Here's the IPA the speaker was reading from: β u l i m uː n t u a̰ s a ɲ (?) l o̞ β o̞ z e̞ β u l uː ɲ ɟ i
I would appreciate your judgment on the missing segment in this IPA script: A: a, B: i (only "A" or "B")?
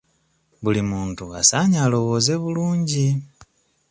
A